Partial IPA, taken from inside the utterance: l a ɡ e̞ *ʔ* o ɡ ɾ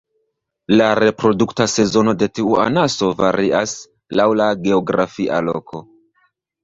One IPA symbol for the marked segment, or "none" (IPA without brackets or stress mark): none